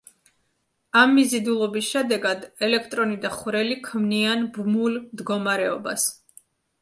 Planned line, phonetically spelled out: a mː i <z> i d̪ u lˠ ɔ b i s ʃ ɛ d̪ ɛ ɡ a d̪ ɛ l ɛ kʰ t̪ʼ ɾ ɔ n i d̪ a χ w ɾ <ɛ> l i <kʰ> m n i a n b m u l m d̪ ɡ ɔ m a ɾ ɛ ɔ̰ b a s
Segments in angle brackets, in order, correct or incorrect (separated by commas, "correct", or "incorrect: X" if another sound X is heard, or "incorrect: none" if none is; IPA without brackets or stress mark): correct, correct, correct